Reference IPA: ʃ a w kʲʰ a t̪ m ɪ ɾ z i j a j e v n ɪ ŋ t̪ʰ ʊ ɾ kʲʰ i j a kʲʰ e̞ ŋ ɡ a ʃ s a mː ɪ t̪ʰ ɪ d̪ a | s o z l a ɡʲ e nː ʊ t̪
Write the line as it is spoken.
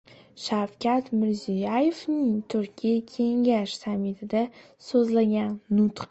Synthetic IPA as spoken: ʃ a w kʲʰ a t̪ m ɪ ɾ z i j a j e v n ɪ ŋ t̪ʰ ʊ ɾ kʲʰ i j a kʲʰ e̞ ŋ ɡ a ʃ s a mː ɪ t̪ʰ ɪ d̪ a | s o z l a ɡʲ a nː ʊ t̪

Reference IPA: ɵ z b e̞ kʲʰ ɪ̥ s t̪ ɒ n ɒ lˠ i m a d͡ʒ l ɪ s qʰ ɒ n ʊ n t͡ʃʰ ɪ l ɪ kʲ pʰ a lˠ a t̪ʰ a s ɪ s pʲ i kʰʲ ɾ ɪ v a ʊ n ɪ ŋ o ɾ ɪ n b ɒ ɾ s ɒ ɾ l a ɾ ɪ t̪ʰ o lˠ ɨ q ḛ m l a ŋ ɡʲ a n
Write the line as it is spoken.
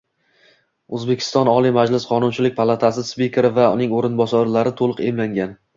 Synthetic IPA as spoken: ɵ z b e̞ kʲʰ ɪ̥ s t̪ ɒ n ɒ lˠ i m a d͡ʒ l ɪ s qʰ ɒ n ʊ n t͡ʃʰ ɪ l ɪ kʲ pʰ a lˠ a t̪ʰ a s ɪ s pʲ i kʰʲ ɾ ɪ v a ʊ n ɪ ŋ o ɾ ɪ n b ɒ s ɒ ɾ l a ɾ ɪ t̪ʰ o lˠ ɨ q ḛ m l a ŋ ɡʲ a n

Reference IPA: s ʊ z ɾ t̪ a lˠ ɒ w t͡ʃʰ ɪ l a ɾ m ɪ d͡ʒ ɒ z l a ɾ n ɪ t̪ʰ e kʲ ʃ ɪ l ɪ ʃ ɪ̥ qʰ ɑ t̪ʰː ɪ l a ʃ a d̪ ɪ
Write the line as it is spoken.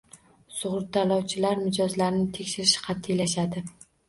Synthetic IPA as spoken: s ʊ ʁ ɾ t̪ a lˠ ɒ w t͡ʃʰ ɪ l a ɾ m ɪ d͡ʒ ɒ z l a ɾ n ɪ t̪ʰ e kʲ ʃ ɪ ɾ ɪ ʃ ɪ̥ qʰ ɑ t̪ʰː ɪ l a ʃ a d̪ ɪ

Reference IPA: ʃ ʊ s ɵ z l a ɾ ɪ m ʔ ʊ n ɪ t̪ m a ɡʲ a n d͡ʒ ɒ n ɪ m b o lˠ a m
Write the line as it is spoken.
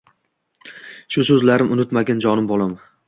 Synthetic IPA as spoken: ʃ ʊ s ɵ z l a ɾ ɪ m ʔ ʊ n ɪ t̪ m a ɡʲ a n d͡ʒ ɒ n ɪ m b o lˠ a m

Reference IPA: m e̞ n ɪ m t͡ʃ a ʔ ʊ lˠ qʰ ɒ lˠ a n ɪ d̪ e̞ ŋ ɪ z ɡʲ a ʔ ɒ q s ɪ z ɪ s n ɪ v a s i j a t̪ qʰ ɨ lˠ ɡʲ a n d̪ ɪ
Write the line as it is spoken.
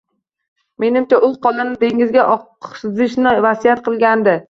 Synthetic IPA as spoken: m e̞ n ɪ m t͡ʃ a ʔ ʊ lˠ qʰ ɒ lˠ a n ɪ d̪ e̞ ŋ ɪ z ɡʲ a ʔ ɒ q s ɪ z ɪ ʃ n ɪ v a s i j a t̪ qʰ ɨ lˠ ɡʲ a n d̪ ɪ

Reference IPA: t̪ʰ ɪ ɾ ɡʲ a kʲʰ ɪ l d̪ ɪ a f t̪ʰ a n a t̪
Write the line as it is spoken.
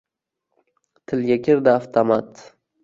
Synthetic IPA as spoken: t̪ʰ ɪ l ɡʲ a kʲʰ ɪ ɾ d̪ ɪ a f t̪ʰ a m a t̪

